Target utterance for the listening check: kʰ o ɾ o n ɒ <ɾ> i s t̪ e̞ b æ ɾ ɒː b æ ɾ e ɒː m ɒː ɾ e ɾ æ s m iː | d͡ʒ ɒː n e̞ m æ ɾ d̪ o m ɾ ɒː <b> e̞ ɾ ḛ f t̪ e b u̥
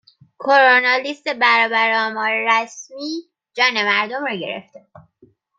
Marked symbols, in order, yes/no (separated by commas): no, no